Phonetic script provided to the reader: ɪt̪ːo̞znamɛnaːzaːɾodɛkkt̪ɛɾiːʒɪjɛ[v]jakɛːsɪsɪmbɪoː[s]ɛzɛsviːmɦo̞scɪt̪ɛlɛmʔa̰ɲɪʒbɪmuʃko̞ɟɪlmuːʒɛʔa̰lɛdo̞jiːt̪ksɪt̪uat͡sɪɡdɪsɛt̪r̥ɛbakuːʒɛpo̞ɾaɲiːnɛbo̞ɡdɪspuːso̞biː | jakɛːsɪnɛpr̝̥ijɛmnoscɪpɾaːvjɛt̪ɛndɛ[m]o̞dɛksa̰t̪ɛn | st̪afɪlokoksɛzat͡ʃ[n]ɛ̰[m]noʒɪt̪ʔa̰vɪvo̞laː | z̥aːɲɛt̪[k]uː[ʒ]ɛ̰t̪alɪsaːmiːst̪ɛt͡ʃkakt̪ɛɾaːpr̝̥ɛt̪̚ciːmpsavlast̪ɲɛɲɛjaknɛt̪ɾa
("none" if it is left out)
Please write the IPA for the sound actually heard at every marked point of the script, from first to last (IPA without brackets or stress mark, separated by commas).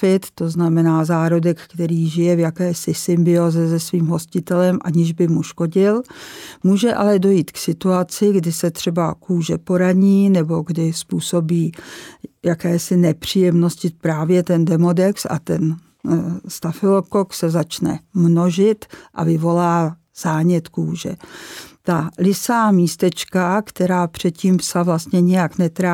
v, z, m, n, m, k, ʒ